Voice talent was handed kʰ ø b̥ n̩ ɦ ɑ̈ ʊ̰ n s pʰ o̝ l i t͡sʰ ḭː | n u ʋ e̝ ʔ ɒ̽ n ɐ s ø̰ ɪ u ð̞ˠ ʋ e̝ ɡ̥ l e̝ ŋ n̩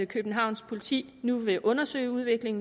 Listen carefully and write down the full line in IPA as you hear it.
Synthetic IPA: kʰ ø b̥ n̩ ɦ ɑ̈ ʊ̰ n s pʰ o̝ l i t͡sʰ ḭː | n u ʋ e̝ ʔ ɔ̽ n ɐ s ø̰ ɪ u ð̞ˠ ʋ e̝ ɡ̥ l e̝ ŋ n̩